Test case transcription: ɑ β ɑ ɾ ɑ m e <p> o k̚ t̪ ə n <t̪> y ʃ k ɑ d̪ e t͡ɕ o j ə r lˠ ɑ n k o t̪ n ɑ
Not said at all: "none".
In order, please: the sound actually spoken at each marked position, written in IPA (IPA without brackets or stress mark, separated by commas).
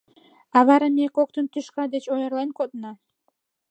k, t̪